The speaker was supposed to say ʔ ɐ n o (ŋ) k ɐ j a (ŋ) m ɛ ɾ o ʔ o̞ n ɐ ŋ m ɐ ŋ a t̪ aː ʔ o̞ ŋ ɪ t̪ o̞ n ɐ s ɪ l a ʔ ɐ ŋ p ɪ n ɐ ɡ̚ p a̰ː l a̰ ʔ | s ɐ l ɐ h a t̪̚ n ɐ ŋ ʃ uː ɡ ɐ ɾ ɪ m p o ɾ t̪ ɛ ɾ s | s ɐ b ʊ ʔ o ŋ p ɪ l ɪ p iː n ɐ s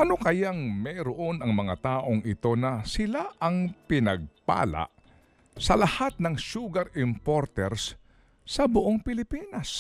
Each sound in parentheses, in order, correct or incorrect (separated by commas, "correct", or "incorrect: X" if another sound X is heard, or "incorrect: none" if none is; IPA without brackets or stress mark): incorrect: none, correct